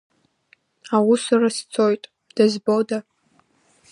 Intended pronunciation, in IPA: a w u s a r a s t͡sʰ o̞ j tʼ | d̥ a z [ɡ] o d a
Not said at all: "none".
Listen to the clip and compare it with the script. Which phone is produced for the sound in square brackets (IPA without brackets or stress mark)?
b